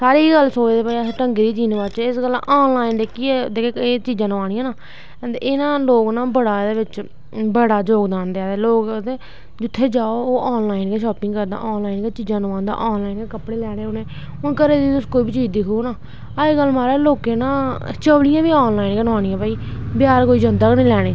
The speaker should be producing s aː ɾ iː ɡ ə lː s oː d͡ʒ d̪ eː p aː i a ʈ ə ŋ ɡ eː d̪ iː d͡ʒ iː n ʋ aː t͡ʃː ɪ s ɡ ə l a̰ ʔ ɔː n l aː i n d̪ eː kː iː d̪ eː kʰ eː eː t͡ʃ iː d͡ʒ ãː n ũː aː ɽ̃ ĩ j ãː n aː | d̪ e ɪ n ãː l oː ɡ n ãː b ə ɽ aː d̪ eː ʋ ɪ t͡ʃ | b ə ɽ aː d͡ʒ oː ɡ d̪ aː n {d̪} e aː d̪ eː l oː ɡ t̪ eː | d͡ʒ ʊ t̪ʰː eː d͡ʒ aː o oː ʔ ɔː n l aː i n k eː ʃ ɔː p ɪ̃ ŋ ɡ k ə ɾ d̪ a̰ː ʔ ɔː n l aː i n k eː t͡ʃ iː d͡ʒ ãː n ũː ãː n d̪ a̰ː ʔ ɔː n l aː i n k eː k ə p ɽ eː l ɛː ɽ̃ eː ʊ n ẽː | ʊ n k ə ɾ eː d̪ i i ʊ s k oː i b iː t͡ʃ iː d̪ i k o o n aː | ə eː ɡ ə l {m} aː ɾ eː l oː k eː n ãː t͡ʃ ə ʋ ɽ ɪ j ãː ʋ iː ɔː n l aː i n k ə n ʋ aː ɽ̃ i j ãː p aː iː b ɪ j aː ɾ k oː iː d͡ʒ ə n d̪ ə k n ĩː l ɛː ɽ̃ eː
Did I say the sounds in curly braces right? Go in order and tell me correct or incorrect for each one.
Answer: correct, correct

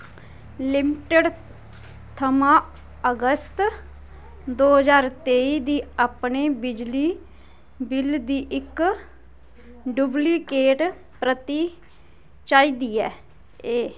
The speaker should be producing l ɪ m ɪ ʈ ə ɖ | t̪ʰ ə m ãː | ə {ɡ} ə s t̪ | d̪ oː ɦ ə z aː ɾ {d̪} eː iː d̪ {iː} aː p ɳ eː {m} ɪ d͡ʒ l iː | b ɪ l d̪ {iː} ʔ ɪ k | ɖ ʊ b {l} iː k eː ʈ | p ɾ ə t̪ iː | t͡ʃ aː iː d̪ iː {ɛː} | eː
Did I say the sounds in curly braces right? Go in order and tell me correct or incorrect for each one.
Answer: correct, incorrect: t̪, correct, incorrect: b, correct, correct, correct

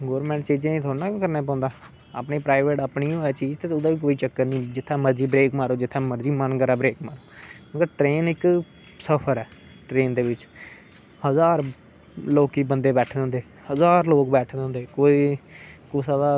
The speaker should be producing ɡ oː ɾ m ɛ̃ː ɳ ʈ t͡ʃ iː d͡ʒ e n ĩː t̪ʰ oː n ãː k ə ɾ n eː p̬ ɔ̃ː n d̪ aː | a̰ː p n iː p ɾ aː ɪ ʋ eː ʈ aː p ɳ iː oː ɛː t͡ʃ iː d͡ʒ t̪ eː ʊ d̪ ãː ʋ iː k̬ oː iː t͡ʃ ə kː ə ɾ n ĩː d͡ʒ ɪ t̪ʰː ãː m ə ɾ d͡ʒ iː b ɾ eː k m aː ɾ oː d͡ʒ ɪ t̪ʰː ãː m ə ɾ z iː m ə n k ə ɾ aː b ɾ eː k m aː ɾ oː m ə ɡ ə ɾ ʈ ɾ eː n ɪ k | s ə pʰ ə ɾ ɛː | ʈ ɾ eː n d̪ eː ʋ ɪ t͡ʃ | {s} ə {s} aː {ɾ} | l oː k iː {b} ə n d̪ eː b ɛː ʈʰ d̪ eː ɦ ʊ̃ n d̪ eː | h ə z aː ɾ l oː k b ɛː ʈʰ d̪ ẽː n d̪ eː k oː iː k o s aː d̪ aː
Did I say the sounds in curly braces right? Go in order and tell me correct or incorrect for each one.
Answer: incorrect: h, incorrect: z, correct, correct

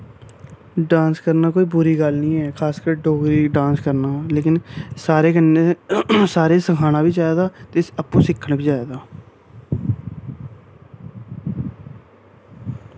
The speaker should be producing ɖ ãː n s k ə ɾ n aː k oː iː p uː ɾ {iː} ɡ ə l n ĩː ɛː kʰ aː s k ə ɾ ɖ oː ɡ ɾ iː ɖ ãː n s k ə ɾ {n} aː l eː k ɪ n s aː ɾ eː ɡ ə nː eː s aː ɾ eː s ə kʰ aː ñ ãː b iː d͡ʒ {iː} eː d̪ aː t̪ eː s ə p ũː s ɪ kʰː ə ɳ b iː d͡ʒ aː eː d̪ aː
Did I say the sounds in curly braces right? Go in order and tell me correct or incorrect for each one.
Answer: correct, correct, incorrect: aː

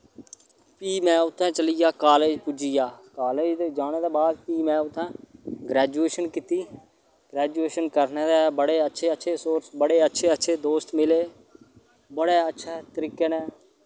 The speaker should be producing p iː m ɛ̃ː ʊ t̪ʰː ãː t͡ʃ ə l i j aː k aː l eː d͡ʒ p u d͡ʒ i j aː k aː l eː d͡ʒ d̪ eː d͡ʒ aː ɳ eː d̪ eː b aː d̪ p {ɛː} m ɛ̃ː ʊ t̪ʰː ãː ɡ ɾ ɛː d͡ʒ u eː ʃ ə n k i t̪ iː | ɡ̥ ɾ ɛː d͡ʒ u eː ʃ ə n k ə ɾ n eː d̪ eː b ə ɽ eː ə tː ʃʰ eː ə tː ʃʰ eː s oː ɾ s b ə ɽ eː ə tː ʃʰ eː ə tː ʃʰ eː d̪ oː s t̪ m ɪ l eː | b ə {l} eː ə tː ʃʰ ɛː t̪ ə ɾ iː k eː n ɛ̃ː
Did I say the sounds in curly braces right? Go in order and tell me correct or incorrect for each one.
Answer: incorrect: iː, incorrect: ɽ

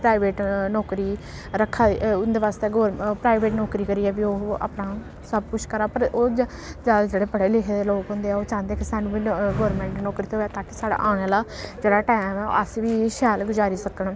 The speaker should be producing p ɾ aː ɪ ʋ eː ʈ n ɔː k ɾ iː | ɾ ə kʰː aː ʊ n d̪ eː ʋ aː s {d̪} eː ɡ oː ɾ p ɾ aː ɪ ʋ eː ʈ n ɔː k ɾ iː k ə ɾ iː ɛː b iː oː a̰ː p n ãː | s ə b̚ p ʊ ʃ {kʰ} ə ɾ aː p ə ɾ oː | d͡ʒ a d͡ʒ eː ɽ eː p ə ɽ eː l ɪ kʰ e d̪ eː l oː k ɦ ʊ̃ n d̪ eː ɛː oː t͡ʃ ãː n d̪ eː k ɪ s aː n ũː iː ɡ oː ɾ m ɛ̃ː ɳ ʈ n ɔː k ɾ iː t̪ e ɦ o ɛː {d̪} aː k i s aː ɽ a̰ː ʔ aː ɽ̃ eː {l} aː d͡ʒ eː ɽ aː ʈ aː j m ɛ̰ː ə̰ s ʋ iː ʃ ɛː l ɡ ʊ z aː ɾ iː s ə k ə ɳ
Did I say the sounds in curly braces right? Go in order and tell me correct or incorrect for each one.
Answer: incorrect: t̪, incorrect: k, incorrect: t̪, correct

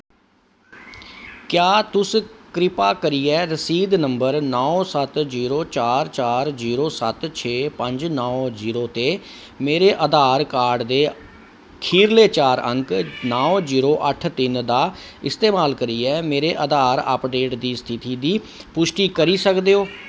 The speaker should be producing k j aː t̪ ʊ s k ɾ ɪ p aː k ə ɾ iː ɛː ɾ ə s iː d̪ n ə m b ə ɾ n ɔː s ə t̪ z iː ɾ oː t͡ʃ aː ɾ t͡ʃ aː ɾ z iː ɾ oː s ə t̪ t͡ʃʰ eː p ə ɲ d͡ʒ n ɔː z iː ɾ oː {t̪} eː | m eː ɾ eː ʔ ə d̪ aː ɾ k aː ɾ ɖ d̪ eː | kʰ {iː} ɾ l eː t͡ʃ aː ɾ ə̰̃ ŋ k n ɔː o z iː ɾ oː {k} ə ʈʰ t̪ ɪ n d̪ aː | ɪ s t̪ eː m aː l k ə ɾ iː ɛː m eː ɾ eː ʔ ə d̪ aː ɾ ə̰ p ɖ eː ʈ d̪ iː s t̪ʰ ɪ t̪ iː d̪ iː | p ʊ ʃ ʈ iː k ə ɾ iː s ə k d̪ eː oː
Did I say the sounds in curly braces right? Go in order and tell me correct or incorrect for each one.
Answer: correct, correct, incorrect: ʔ

